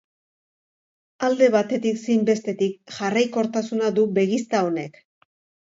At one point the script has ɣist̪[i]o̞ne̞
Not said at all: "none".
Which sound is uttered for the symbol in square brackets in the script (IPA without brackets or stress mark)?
a